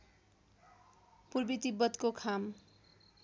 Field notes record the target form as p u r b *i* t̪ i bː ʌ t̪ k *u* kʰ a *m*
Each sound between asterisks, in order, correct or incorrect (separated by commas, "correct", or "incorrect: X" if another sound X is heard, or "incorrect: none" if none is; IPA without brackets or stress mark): correct, incorrect: o, correct